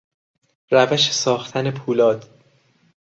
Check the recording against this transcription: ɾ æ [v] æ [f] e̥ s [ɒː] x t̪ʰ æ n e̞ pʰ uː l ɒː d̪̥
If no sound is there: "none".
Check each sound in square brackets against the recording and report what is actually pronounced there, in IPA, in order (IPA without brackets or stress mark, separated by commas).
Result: v, ʃ, ɒː